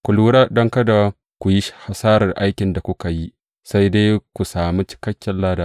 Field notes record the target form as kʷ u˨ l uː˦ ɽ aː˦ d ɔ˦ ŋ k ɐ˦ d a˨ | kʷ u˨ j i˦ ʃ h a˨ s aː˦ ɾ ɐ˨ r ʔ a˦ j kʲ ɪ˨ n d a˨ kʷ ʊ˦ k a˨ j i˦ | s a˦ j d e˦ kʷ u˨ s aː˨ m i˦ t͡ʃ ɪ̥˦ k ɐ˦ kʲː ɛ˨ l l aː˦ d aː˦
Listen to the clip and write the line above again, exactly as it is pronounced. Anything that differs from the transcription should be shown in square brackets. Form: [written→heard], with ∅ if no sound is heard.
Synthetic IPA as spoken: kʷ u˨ l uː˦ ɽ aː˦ d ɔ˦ ŋ k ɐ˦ d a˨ | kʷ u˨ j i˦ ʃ h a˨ s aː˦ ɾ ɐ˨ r ʔ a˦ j kʲ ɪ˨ n d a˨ kʷ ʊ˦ k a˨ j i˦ | s a˦ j d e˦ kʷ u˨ s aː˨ m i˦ t͡ʃ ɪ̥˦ k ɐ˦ kʲː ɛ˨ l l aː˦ d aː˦